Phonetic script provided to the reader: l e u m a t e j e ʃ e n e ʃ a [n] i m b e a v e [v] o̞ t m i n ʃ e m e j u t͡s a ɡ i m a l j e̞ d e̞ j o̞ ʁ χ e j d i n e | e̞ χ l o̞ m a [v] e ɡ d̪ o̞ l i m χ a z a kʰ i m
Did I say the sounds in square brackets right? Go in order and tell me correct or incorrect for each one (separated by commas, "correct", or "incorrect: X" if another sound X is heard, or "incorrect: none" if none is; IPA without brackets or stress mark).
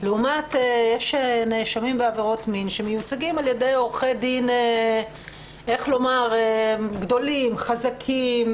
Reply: incorrect: m, incorrect: ʁ, incorrect: ʁ